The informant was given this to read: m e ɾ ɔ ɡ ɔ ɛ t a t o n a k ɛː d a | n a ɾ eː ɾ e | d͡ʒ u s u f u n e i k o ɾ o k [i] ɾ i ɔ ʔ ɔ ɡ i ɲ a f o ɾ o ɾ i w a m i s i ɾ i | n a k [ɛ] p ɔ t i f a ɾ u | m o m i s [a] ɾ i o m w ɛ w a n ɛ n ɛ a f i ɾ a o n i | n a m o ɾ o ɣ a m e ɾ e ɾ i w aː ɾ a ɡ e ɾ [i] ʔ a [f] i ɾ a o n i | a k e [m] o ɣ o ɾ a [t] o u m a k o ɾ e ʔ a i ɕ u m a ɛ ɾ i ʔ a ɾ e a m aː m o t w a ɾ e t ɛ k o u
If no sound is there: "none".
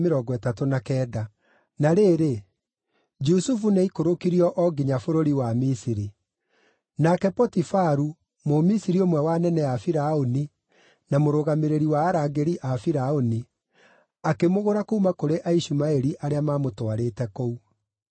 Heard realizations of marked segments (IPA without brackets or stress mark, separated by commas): i, ɛ, i, i, f, m, k